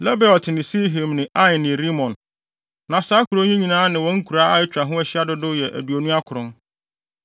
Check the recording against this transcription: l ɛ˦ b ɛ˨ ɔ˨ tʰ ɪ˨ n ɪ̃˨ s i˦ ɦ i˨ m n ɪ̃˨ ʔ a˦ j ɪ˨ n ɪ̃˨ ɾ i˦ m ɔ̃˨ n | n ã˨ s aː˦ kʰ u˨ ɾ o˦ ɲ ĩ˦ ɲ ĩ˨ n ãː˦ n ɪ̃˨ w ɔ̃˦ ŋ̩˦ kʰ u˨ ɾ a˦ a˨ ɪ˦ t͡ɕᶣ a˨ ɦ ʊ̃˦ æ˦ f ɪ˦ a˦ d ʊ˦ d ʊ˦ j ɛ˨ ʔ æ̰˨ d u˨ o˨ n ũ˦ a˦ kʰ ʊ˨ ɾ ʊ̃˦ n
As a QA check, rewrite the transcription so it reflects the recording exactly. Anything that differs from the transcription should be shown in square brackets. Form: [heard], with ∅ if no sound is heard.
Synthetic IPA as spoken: l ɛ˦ b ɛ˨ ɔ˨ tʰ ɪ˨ n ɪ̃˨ s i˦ ɦ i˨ m n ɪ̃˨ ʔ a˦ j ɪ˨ n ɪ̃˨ ɾ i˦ m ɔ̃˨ n | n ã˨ s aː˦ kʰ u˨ ɾ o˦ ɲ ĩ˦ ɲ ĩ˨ n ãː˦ n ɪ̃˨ w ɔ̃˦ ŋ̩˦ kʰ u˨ ɾ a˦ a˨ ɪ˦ t͡ɕᶣ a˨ ɦ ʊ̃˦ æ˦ [ɕ] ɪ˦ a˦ d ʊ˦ d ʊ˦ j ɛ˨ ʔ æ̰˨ d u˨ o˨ n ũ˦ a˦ kʰ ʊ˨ ɾ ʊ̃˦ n

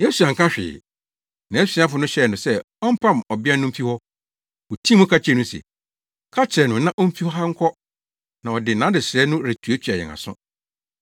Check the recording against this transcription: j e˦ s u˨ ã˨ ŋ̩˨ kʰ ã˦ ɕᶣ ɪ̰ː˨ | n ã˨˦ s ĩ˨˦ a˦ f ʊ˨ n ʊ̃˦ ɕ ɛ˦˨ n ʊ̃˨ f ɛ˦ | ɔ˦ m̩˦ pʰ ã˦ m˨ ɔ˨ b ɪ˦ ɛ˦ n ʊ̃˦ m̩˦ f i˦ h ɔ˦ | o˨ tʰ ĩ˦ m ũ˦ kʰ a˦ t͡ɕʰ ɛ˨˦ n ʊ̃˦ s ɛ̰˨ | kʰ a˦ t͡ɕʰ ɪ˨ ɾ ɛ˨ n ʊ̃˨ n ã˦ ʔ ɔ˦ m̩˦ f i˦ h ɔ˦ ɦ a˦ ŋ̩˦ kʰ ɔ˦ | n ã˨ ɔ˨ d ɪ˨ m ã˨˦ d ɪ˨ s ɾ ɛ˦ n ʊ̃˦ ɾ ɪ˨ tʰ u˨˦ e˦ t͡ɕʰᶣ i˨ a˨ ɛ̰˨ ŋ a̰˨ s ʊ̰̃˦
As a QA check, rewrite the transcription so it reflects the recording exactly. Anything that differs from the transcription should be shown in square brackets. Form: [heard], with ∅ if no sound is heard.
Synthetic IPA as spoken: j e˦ s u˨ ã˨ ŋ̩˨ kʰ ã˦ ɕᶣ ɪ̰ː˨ | n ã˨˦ s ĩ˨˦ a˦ f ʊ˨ n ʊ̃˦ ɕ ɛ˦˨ n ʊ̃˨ [s] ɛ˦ | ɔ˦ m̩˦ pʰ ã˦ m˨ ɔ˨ b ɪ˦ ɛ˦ n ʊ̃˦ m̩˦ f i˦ h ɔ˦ | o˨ tʰ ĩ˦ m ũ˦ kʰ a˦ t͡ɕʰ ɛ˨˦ n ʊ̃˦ s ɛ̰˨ | kʰ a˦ t͡ɕʰ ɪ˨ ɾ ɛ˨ n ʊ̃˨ n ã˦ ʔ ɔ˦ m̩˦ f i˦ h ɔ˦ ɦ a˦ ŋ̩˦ kʰ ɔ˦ | n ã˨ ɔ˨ d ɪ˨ [n] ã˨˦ d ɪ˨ s ɾ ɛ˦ n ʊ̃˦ ɾ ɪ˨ tʰ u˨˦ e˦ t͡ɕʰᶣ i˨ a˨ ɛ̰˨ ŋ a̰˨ s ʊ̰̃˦

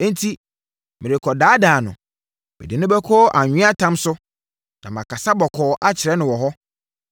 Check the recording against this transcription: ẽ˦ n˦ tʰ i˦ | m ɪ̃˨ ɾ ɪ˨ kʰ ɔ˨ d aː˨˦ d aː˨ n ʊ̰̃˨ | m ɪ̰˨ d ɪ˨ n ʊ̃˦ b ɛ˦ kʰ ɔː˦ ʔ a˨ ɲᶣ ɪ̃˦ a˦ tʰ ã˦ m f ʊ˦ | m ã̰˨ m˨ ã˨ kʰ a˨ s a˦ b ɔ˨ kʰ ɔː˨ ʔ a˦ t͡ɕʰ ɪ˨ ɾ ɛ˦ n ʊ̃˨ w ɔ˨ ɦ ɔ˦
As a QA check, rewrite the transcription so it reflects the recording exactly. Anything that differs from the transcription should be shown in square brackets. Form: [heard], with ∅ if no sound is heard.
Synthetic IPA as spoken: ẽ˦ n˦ tʰ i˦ | m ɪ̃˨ ɾ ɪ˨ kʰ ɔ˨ d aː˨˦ d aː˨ n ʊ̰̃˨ | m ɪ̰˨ d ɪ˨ n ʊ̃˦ b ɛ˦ kʰ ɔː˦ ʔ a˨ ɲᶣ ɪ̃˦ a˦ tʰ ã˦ m [s] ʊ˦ | [n] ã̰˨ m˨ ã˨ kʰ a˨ s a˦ b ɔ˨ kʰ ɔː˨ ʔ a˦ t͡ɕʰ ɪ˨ ɾ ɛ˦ n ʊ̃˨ w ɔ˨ ɦ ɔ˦

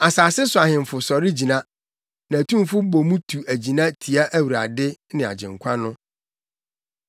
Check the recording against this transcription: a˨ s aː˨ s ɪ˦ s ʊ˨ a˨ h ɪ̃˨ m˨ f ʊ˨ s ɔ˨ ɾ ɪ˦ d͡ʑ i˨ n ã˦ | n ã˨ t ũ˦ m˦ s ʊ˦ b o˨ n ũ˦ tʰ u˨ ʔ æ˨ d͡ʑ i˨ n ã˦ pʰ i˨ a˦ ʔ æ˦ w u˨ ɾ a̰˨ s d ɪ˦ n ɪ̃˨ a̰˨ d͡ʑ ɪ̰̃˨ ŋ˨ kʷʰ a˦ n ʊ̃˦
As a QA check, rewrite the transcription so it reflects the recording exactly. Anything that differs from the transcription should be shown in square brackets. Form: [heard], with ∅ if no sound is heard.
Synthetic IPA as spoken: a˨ s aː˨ s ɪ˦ s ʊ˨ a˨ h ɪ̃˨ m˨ f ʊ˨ s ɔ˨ ɾ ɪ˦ d͡ʑ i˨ n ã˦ | n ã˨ t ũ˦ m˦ [f] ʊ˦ b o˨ [m] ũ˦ tʰ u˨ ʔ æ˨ d͡ʑ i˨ n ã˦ [tʰ] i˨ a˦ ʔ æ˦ w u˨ ɾ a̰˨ [∅] d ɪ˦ n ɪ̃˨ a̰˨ d͡ʑ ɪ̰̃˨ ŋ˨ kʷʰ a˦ n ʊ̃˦

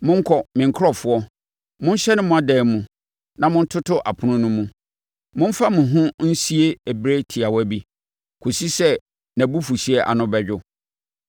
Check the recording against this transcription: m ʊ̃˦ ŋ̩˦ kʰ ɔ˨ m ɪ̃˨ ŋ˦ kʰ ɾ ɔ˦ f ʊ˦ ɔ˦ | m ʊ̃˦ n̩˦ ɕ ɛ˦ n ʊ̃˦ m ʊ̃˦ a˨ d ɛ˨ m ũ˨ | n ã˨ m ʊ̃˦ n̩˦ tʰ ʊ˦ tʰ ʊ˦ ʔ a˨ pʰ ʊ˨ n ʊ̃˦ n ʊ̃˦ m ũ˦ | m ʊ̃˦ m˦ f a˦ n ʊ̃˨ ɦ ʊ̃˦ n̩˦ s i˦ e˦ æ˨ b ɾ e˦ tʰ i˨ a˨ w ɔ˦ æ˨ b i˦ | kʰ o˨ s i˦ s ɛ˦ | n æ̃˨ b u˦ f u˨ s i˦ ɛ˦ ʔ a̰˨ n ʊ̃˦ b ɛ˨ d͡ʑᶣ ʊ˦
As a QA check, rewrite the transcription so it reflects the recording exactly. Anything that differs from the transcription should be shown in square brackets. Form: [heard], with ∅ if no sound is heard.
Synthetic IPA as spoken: m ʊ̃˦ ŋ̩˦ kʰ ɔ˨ m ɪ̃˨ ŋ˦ kʰ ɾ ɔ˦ f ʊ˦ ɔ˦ | m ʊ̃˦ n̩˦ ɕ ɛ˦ n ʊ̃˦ m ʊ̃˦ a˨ d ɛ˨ m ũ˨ | n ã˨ m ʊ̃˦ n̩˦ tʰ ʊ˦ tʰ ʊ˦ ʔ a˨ pʰ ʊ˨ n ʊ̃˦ n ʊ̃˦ m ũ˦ | m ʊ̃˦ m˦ f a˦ [m] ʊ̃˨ ɦ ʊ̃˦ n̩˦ s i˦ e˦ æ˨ b ɾ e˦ tʰ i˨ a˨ w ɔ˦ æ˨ b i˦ | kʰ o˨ s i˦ s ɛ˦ | n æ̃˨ b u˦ f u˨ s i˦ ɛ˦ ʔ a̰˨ n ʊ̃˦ b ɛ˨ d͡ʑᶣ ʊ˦

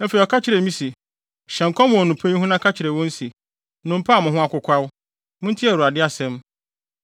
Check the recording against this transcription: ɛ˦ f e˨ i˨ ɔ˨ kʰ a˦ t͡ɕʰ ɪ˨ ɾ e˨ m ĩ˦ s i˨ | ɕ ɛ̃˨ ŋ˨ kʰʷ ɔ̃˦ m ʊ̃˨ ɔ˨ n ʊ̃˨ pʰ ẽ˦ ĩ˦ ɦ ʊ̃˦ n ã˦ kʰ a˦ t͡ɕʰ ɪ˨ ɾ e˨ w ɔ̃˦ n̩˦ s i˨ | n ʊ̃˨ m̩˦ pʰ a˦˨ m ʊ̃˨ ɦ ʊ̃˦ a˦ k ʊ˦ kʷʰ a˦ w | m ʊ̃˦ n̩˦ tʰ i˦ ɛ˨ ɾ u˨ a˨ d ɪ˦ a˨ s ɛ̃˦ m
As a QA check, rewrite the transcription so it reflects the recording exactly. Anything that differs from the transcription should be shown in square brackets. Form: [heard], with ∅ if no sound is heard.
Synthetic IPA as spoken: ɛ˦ f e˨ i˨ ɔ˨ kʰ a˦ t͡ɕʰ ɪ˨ ɾ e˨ m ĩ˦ s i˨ | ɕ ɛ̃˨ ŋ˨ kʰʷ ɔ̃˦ m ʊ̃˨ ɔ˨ n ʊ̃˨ pʰ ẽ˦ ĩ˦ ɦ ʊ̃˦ n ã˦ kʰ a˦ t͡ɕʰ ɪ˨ ɾ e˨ w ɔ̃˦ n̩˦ s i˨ | n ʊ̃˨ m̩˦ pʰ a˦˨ m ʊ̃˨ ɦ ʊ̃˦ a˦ k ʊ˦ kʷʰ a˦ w | m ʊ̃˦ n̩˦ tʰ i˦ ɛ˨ ɾ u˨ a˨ d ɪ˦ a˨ s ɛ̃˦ m

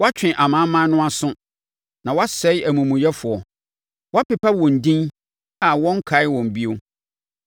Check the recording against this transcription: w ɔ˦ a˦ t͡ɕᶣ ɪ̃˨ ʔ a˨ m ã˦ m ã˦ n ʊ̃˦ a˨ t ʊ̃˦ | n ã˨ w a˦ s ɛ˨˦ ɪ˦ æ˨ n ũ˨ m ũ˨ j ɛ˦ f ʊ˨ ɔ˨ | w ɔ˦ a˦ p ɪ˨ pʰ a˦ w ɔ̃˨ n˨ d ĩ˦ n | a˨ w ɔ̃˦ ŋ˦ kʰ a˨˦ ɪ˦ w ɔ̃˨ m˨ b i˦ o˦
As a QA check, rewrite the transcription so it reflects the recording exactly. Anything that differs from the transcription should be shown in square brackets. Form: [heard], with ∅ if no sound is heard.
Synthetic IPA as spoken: w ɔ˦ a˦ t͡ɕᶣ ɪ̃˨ ʔ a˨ m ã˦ m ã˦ n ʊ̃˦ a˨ [s] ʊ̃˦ | n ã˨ w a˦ s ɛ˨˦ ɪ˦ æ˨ [m] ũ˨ m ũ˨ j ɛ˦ f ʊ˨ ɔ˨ | w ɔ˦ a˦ p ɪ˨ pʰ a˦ w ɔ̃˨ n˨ d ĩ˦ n | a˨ w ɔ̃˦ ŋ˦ kʰ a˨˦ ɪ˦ w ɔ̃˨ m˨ b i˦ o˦

